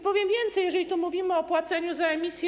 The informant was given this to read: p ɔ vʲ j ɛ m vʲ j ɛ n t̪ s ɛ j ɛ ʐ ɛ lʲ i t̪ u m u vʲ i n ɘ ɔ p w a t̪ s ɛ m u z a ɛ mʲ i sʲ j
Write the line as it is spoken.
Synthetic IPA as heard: p ɔ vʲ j ɛ m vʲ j ɛ n t̪ s ɛ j ɛ ʐ ɛ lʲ i t̪ u m u vʲ i m ɘ ɔ p w a t̪ s ɛ ɲ u z a ɛ mʲ i sʲ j